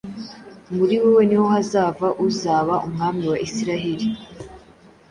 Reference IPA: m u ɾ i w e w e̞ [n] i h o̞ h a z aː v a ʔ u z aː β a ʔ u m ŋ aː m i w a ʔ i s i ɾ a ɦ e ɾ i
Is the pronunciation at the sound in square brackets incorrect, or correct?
correct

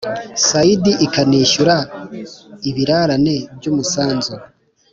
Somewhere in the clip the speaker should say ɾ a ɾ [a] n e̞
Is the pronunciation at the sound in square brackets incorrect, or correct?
correct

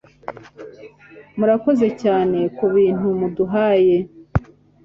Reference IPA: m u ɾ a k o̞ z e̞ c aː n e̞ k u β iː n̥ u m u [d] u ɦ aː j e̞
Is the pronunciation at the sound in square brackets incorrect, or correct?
correct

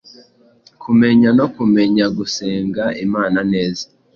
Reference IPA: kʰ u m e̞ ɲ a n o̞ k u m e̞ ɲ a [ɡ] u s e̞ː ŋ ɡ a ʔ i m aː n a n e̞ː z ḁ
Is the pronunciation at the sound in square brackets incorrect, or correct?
correct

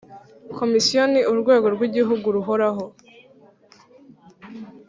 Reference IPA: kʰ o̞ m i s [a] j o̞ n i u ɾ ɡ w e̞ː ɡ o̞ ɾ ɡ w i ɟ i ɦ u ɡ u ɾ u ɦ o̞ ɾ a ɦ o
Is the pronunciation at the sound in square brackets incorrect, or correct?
incorrect: i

